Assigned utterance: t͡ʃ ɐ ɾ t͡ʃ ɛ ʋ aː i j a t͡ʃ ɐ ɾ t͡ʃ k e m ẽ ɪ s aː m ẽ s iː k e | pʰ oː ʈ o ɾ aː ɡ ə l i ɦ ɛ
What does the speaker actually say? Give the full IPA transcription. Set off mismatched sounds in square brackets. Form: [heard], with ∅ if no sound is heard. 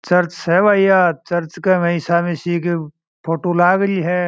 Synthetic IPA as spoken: t͡ʃ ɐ ɾ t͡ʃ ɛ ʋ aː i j a t͡ʃ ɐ ɾ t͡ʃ k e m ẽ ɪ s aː m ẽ s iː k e | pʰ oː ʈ o [l] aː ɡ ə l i ɦ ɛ